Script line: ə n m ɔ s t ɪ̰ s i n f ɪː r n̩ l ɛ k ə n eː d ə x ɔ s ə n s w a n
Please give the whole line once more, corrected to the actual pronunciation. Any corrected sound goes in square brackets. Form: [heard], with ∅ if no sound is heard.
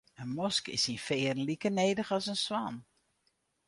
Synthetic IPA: ə n m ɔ s [k] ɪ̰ s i n f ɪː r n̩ l [i] k ə n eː d ə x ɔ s ə n s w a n